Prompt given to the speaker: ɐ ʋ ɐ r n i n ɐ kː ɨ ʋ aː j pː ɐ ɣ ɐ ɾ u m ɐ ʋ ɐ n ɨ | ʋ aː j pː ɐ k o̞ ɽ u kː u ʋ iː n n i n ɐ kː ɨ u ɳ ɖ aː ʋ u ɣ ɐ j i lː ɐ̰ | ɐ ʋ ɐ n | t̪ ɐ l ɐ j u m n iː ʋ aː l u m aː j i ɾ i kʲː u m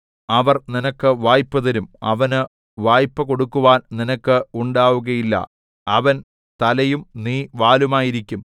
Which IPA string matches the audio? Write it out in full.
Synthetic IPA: ɐ ʋ ɐ r n i n ɐ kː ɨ ʋ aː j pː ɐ ð ɐ ɾ u m ɐ ʋ ɐ n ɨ | ʋ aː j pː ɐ k o̞ ɽ u kː u ʋ aː n n i n ɐ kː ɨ u ɳ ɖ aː ʋ u ɣ ɐ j i lː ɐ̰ | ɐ ʋ ɐ n | t̪ ɐ l ɐ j u m n iː ʋ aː l u m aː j i ɾ i kʲː u m